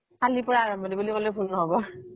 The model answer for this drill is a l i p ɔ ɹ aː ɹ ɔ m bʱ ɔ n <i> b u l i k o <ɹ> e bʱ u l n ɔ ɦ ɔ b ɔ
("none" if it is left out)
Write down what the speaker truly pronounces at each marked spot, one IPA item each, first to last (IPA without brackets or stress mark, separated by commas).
i, l